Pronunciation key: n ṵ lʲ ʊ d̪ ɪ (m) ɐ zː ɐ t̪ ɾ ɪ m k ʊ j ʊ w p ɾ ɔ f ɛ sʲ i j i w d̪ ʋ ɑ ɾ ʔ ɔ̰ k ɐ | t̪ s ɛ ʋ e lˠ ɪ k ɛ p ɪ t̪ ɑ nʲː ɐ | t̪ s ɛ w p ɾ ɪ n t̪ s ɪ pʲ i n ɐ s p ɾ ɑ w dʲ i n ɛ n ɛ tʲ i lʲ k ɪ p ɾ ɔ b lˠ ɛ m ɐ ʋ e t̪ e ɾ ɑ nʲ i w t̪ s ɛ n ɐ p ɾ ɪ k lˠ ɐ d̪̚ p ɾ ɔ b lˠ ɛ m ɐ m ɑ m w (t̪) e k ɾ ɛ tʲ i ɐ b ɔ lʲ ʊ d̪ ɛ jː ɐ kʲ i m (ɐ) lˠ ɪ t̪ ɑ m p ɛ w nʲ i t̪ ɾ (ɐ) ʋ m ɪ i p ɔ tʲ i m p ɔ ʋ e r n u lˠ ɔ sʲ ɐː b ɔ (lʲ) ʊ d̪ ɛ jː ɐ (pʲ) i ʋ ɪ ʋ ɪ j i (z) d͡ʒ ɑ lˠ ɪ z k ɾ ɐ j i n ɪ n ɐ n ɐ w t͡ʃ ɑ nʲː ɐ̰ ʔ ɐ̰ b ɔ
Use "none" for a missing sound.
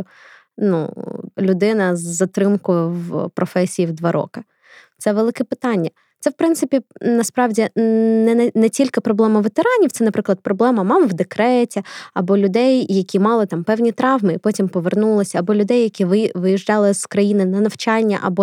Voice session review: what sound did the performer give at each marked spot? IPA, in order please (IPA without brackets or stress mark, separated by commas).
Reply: n, d̪, ɑ, ɑ, lʲ, kʲ, ʒ